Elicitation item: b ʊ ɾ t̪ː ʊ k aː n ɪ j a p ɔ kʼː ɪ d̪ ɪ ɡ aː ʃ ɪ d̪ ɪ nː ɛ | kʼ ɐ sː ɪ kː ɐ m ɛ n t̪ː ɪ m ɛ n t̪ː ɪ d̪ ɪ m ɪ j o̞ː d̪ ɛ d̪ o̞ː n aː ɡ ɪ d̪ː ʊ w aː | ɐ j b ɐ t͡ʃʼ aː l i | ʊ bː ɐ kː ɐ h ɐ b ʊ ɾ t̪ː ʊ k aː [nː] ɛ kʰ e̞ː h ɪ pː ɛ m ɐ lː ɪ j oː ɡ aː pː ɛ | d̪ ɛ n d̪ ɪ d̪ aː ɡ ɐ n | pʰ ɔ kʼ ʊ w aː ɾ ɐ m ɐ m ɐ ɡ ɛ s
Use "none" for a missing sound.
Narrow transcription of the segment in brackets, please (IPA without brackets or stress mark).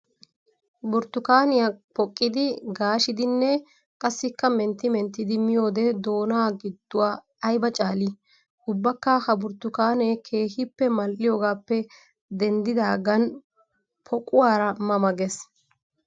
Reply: n